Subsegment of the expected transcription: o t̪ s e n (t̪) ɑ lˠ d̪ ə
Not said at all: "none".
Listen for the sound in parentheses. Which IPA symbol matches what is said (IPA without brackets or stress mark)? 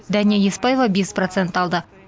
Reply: t̪